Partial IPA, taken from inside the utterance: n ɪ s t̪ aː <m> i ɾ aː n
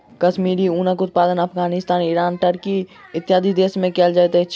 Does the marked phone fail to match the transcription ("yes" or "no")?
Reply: yes